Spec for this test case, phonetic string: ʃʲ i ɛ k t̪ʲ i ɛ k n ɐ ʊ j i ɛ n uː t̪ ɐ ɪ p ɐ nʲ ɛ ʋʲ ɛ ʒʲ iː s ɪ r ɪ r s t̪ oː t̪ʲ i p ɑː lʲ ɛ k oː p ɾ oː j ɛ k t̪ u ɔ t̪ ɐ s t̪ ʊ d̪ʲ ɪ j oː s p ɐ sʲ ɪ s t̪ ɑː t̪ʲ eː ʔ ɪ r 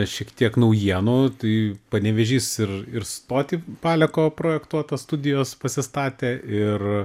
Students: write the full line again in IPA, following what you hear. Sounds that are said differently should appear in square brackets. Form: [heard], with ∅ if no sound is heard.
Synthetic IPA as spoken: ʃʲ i ɛ k t̪ʲ i ɛ k n ɐ ʊ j i ɛ n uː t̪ ɐ ɪ p ɐ nʲ ɛ ʋʲ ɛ ʒʲ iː s ɪ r ɪ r s t̪ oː t̪ʲ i p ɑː lʲ ɛ k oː p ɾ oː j ɛ k t̪ u ɔ t̪ ɐ s t̪ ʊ d̪ʲ ɪ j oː s p ɐ sʲ ɪ s t̪ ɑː t̪ʲ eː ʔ ɪ r

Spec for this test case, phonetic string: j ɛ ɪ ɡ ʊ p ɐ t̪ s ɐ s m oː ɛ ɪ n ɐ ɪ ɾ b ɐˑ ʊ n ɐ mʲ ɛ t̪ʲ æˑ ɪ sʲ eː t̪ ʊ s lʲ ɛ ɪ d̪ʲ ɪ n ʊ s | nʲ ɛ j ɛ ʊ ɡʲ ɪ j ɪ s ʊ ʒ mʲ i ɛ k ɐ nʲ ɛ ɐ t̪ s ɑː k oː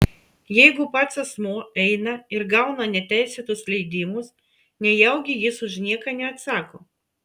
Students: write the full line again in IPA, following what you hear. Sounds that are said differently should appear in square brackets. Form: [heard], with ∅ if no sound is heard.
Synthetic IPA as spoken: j ɛ ɪ ɡ ʊ p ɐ t̪ s ɐ s m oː ɛ ɪ n ɐ ɪ ɾ [ɡ] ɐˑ ʊ n ɐ [nʲ] ɛ t̪ʲ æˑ ɪ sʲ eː t̪ ʊ s lʲ ɛ ɪ d̪ʲ ɪ [m] ʊ s | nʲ ɛ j ɛ ʊ ɡʲ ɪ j ɪ s ʊ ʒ [nʲ] i ɛ k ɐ nʲ ɛ ɐ t̪ s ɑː k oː

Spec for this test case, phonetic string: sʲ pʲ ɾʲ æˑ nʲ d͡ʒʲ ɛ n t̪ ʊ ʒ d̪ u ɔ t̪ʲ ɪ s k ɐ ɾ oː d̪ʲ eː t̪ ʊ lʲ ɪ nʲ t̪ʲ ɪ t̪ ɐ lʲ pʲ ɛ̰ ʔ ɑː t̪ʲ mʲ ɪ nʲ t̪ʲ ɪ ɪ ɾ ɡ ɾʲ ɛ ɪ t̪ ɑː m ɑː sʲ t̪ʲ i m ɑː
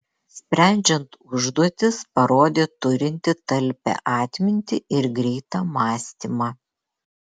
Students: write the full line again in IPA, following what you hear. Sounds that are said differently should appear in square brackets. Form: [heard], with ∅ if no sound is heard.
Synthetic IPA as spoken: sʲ pʲ ɾʲ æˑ nʲ d͡ʒʲ ɛ n t̪ ʊ ʒ d̪ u ɔ t̪ʲ ɪ s [p] ɐ ɾ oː d̪ʲ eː t̪ ʊ [ɾʲ] ɪ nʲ t̪ʲ ɪ t̪ ɐ lʲ pʲ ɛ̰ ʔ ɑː t̪ʲ mʲ ɪ nʲ t̪ʲ ɪ ɪ ɾ ɡ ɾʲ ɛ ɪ t̪ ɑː m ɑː sʲ t̪ʲ i m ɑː

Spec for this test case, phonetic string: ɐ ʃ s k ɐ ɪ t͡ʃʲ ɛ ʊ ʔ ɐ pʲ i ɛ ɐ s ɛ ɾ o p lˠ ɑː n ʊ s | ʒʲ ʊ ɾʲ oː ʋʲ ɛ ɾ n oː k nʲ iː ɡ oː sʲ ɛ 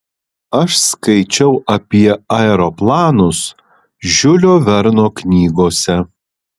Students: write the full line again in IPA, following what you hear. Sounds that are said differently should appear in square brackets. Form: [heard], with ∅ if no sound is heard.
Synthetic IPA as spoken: ɐ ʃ s k ɐ ɪ t͡ʃʲ ɛ ʊ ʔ ɐ pʲ i ɛ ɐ [∅] ɛ ɾ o p lˠ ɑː n ʊ s | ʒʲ ʊ [lʲ] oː ʋʲ ɛ ɾ n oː k nʲ iː ɡ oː sʲ ɛ

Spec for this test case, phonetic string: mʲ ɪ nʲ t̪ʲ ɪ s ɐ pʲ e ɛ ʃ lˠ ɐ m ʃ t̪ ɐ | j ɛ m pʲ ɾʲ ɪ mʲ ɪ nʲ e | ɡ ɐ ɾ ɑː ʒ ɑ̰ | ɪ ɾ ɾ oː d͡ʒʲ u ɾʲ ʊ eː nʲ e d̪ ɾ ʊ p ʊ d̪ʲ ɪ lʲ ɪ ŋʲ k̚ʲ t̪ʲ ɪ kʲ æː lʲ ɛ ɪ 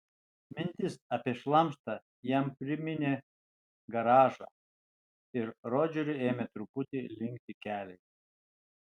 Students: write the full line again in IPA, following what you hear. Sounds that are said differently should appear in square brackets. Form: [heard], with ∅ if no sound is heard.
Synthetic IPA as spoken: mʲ ɪ nʲ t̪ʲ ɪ s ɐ pʲ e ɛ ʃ lˠ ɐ m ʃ t̪ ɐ | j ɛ m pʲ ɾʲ ɪ mʲ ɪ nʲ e | ɡ ɐ ɾ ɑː ʒ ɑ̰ | ɪ ɾ ɾ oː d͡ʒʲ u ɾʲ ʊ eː [mʲ] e [t̪] ɾ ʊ p ʊ [t̪ʲ] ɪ lʲ ɪ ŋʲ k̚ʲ t̪ʲ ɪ kʲ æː lʲ ɛ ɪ

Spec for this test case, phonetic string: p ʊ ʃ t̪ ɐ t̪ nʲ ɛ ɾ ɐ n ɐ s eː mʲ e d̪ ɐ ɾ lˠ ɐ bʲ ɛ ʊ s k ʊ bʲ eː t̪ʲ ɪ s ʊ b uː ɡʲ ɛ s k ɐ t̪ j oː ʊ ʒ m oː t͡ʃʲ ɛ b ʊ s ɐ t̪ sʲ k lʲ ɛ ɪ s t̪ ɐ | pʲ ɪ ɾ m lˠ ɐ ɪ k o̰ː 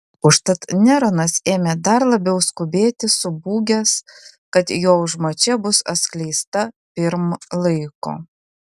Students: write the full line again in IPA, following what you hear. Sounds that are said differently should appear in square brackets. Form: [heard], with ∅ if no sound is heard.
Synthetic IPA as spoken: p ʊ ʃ t̪ ɐ t̪ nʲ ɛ ɾ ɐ n ɐ s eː mʲ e d̪ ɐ ɾ lˠ ɐ bʲ ɛ ʊ s k ʊ bʲ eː t̪ʲ ɪ s ʊ b uː ɡʲ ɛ s k ɐ t̪ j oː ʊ ʒ m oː t͡ʃʲ ɛ b ʊ s ɐ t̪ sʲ k lʲ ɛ ɪ s t̪ ɐ | pʲ ɪ ɾ m lˠ ɐ ɪ k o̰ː

